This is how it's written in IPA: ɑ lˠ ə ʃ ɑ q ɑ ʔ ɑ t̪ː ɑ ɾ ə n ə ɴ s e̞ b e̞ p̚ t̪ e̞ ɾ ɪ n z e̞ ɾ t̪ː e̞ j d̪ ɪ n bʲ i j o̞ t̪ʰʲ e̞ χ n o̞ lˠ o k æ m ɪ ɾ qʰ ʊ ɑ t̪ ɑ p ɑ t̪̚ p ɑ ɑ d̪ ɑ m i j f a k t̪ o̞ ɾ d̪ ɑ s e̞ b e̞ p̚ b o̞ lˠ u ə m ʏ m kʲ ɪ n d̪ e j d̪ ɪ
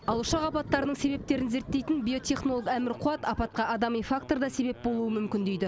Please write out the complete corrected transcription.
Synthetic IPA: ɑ lˠ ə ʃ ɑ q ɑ p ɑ t̪ː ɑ ɾ ə n ə ɴ s e̞ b e̞ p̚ t̪ e̞ ɾ ɪ n z e̞ ɾ t̪ː e̞ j t̪ ɪ n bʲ i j o̞ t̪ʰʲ e̞ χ n o̞ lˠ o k æ m ɪ ɾ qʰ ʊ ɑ t̪ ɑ p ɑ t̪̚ q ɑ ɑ d̪ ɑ m i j f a k t̪ o̞ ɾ d̪ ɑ s e̞ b e̞ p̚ b o̞ lˠ u ə m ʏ m kʲ ɪ n d̪ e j d̪ ɪ